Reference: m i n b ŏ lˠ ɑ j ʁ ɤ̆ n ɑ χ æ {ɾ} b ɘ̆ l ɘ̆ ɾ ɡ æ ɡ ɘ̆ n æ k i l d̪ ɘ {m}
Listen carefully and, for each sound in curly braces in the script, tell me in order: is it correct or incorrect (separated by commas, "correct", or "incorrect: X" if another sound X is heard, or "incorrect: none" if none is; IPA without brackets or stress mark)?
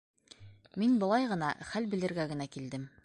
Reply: incorrect: l, correct